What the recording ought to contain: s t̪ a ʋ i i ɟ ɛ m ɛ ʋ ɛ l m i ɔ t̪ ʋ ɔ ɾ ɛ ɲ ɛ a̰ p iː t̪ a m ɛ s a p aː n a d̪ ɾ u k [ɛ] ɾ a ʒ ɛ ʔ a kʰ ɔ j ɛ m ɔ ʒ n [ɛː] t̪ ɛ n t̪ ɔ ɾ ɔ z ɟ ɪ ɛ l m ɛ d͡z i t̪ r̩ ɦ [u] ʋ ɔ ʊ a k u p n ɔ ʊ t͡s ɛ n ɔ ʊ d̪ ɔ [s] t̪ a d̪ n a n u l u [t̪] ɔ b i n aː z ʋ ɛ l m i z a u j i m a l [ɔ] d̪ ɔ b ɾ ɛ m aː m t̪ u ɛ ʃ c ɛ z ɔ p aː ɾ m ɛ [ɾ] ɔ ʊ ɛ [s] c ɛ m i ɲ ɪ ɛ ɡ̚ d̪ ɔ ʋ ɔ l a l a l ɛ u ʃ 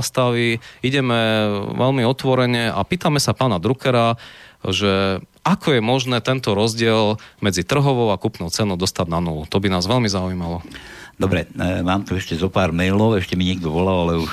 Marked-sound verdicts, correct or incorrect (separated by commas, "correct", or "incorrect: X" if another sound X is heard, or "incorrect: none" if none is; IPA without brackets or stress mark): correct, correct, incorrect: ɔ, correct, correct, correct, incorrect: l, incorrect: ʃ